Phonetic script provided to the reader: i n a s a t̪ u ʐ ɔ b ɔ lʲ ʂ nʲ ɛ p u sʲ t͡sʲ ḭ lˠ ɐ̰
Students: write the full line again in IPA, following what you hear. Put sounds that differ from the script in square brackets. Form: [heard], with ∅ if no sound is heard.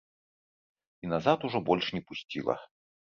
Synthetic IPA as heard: i n a [z] a t̪ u ʐ ɔ b ɔ lʲ ʂ nʲ ɛ p u sʲ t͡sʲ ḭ lˠ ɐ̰